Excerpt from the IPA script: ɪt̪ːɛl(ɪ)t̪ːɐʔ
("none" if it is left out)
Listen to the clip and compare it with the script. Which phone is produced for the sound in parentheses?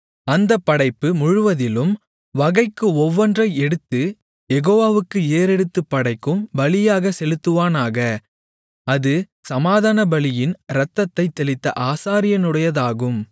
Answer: ɪ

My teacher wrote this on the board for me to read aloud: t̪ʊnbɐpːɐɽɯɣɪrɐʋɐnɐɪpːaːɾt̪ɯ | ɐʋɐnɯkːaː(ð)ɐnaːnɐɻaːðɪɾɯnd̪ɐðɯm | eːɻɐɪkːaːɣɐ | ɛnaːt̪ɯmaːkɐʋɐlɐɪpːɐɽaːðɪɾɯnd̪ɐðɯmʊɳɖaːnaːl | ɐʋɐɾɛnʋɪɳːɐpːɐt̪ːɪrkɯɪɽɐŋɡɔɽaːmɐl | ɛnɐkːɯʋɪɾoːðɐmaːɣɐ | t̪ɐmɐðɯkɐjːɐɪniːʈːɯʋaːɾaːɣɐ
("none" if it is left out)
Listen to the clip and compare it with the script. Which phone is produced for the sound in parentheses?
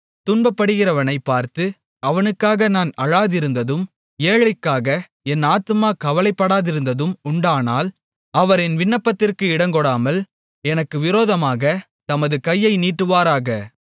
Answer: ɣ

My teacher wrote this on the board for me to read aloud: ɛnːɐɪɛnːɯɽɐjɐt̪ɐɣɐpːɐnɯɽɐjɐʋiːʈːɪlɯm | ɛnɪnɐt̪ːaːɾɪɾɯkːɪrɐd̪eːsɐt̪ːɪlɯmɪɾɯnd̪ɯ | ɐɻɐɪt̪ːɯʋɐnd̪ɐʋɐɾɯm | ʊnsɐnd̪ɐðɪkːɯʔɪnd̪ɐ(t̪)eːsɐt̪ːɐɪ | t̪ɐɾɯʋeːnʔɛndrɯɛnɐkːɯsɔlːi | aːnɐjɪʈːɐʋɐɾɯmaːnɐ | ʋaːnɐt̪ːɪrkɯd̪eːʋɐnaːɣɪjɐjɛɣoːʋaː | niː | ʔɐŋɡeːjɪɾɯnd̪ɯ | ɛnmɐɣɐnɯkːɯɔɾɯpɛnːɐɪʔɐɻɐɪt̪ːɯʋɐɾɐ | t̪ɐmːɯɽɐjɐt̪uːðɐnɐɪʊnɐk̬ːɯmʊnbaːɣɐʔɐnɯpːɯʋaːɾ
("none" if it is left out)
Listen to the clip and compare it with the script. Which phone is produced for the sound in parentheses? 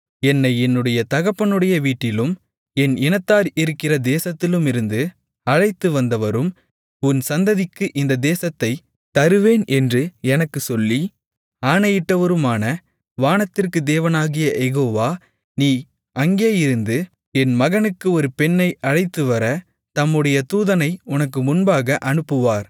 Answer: d̪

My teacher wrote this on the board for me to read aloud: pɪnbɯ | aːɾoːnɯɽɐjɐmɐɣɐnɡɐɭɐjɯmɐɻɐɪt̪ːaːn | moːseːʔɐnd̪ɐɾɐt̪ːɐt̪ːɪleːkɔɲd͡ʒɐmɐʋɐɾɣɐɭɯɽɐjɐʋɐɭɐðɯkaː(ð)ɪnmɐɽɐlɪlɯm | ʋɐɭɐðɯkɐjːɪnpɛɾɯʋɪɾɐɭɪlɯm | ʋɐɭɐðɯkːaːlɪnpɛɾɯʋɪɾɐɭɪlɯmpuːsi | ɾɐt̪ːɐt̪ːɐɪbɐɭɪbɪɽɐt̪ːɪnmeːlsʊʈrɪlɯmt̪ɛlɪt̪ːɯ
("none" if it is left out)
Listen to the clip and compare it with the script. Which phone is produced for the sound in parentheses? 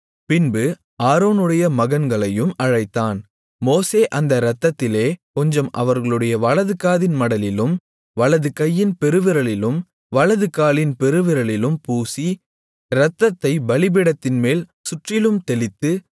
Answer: ð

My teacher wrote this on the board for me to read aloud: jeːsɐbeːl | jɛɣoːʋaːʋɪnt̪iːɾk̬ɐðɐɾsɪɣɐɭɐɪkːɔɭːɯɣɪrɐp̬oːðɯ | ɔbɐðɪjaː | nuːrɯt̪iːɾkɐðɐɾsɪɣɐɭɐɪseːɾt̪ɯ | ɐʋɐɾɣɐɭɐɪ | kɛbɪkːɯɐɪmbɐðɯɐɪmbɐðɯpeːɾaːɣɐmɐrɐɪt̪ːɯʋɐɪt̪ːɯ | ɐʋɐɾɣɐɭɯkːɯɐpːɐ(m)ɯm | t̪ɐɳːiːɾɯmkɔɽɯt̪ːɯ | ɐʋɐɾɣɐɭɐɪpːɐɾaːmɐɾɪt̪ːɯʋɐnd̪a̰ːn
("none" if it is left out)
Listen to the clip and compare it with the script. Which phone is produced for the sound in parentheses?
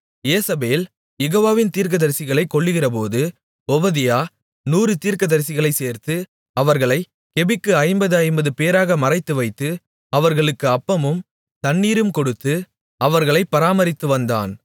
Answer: m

